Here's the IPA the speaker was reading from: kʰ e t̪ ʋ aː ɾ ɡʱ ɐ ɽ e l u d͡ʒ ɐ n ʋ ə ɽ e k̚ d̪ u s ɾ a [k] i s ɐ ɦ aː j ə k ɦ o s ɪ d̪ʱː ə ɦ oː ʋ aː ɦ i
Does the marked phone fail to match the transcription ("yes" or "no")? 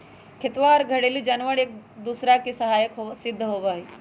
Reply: no